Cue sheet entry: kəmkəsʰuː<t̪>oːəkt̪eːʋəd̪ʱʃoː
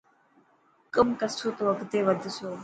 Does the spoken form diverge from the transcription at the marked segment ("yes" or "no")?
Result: no